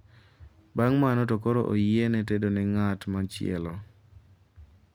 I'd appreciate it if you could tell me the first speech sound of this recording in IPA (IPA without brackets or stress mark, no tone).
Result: b